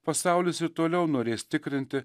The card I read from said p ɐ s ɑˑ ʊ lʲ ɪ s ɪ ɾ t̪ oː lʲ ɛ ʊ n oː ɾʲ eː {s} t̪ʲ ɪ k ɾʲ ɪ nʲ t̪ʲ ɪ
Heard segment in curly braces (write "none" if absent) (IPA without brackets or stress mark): s